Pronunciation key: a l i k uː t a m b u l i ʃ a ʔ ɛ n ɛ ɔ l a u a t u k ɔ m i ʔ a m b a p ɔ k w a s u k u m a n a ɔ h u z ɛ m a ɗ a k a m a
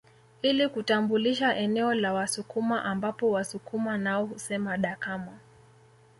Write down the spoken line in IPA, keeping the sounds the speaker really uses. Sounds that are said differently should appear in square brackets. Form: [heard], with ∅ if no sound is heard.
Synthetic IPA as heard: [i] l i k [u] t a m b u l i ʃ a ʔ ɛ n ɛ ɔ l a [w] a [s] u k [u] m [a] ʔ a m b a p ɔ [∅] w a s u k u m a n a ɔ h u [s] ɛ m a ɗ a k a m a